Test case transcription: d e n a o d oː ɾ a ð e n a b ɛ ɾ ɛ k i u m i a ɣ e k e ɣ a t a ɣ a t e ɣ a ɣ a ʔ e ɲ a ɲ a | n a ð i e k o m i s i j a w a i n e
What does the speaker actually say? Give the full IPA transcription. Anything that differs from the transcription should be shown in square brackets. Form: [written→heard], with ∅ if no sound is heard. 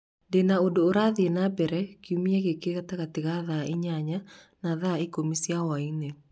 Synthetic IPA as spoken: d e n a o d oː ɾ a ð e n a b ɛ ɾ ɛ k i u m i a ɣ e k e ɣ a t a ɣ a t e ɣ a [ɣ→ð] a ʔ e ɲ a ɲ a | n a ð [i→a] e k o m i s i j a w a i n e